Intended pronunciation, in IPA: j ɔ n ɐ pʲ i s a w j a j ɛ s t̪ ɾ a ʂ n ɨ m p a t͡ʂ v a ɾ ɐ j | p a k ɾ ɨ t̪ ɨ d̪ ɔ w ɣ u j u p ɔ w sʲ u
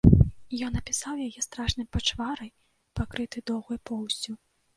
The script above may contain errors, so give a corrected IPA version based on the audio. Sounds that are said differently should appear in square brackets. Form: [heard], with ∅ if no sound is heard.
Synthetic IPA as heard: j ɔ n ɐ pʲ i s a w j a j ɛ s t̪ ɾ a ʂ n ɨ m p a t͡ʂ v a ɾ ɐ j | p a k ɾ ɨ t̪ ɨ d̪ ɔ w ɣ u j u p ɔ w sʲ u